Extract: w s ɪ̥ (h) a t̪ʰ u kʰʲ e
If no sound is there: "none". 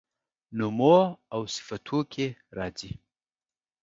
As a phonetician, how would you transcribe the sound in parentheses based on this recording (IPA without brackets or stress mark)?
f